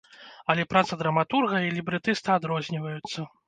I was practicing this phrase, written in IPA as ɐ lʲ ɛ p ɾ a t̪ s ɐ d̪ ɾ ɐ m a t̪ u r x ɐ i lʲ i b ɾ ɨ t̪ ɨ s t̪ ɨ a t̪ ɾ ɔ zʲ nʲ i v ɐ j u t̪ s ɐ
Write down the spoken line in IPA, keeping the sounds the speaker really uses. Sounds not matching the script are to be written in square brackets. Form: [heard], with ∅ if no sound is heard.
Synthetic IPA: ɐ lʲ ɛ p ɾ a t̪ s ɐ d̪ ɾ ɐ m a t̪ u r [ɣ] ɐ i lʲ i b ɾ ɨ t̪ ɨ s t̪ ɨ a [d̪] ɾ ɔ zʲ nʲ i v ɐ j u t̪ [sː] ɐ